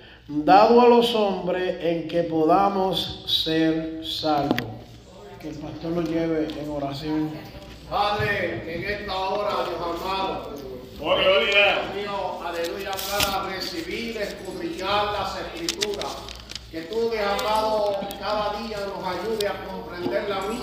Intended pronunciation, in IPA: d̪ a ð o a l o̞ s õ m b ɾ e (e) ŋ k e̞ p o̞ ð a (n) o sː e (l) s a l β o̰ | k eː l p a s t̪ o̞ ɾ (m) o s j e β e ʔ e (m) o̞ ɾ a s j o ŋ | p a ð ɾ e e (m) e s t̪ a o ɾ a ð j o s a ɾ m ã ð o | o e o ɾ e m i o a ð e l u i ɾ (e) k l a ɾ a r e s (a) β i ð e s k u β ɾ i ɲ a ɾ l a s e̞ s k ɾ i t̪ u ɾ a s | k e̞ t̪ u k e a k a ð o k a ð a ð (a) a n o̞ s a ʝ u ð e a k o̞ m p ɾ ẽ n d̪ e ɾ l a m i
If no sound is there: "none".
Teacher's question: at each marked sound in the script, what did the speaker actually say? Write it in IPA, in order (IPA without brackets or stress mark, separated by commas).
e, m, ɾ, n, ŋ, ŋ, a, i, i